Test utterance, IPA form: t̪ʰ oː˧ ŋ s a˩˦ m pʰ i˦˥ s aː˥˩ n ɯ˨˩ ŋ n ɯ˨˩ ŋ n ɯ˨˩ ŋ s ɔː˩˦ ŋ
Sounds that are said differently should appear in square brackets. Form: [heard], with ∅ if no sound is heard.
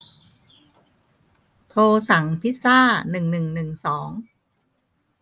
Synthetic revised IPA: t̪ʰ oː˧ [∅] s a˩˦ [ŋ] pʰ i˦˥ s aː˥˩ n ɯ˨˩ ŋ n ɯ˨˩ ŋ n ɯ˨˩ ŋ s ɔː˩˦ ŋ